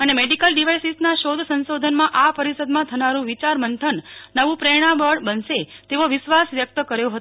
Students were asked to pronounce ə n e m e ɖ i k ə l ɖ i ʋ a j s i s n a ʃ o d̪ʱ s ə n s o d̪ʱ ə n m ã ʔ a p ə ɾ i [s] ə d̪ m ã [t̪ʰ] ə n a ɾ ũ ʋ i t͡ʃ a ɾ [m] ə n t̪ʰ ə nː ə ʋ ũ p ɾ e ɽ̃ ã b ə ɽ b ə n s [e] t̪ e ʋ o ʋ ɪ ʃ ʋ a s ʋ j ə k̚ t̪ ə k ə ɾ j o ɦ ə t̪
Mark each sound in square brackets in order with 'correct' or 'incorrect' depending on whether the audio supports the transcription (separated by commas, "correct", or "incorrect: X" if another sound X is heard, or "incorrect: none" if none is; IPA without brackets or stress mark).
correct, correct, correct, correct